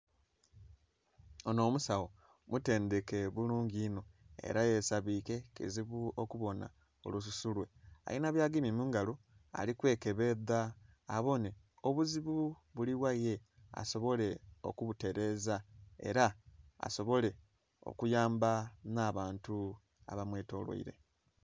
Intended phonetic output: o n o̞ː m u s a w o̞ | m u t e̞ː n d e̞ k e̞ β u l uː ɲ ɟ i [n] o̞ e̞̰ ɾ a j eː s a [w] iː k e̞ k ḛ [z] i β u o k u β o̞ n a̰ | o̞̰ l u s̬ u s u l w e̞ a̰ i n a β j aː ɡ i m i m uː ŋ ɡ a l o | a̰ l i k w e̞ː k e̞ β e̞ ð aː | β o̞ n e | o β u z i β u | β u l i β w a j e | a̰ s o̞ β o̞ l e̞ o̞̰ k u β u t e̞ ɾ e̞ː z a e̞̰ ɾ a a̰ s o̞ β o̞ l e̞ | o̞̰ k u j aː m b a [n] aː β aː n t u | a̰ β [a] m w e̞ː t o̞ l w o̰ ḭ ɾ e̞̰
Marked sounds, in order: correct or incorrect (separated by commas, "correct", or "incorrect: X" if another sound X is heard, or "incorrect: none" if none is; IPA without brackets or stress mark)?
correct, incorrect: β, correct, correct, correct